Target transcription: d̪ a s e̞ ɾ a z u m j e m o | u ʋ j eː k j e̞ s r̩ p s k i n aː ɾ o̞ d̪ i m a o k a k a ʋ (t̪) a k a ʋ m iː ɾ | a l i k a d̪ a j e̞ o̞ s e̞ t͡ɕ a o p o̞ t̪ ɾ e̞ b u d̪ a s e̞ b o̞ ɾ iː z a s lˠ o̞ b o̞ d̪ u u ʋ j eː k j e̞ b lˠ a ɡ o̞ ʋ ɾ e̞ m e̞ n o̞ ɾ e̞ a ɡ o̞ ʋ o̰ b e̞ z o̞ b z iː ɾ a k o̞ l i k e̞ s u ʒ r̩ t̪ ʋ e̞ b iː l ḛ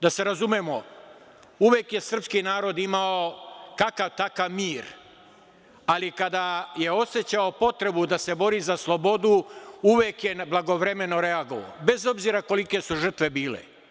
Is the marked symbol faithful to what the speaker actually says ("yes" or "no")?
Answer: yes